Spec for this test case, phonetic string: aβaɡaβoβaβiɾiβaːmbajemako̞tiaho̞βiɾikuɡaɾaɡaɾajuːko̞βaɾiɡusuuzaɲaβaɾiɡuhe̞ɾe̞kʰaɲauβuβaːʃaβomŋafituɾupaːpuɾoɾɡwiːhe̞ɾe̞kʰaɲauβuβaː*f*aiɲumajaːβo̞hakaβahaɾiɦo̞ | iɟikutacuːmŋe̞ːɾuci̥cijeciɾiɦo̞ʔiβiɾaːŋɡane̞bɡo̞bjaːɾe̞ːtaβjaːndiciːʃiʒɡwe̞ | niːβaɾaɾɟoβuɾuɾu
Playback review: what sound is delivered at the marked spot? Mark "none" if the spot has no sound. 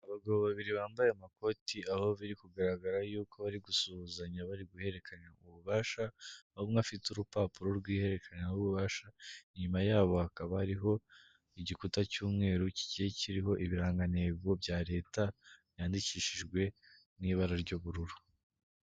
ʃ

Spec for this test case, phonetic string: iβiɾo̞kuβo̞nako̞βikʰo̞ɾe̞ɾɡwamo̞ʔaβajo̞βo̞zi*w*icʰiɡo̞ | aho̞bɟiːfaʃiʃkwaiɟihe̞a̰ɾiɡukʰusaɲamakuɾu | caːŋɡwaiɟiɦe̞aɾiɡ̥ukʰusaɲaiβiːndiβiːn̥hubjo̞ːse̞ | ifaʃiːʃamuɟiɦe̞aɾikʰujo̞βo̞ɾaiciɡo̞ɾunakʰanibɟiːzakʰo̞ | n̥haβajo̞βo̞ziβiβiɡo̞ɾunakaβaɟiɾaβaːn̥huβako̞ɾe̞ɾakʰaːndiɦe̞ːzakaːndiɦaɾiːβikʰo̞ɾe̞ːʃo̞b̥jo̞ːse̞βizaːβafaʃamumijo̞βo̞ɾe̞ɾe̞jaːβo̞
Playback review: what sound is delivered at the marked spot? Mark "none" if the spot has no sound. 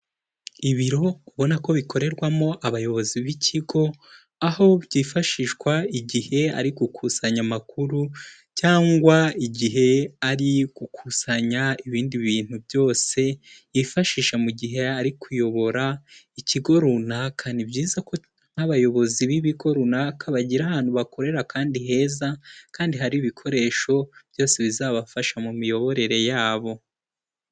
β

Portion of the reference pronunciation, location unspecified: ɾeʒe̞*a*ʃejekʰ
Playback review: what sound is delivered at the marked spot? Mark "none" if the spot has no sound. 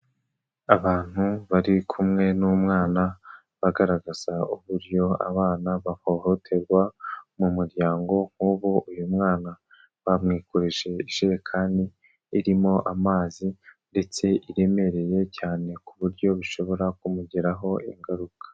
i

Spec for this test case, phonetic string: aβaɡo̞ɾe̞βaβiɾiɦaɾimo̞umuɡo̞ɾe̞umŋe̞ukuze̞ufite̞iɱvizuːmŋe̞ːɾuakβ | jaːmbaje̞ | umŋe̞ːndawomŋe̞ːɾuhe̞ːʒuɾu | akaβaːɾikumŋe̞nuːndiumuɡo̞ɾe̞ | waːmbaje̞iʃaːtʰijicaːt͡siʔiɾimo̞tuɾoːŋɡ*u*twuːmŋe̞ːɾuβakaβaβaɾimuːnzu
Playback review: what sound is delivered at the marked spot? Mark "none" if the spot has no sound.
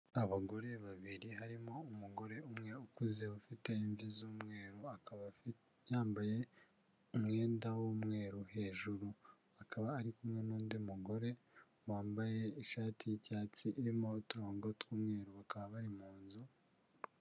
o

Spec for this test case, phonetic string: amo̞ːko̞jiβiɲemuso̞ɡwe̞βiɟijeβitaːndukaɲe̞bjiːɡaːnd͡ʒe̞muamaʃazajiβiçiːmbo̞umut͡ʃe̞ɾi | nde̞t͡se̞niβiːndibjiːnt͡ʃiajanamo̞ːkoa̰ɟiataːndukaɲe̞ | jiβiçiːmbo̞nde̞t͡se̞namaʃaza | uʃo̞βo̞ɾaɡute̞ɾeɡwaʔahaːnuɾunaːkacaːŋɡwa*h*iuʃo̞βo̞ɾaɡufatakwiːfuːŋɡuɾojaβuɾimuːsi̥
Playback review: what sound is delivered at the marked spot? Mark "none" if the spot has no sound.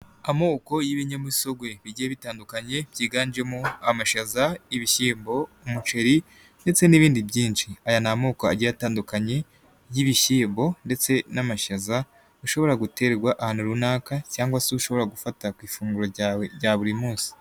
s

